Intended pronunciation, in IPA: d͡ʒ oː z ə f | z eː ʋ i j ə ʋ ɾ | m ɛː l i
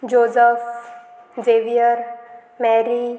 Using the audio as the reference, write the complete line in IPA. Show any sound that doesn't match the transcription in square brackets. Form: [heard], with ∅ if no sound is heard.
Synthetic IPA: d͡ʒ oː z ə f | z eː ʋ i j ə [∅] ɾ | m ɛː [ɾ] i